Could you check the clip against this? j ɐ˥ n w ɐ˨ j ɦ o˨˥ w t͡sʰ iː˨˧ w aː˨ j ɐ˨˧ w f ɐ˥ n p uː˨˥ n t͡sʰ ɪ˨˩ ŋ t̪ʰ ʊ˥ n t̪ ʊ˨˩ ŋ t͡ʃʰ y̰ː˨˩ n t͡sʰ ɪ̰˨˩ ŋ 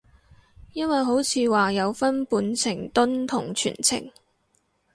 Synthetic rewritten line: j ɐ˥ n w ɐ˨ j ɦ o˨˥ w t͡sʰ iː˨˧ w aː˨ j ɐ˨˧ w f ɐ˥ n p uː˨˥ n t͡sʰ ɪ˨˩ ŋ t̪ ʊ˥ n t̪ʰ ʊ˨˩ ŋ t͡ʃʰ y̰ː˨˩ n t͡sʰ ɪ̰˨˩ ŋ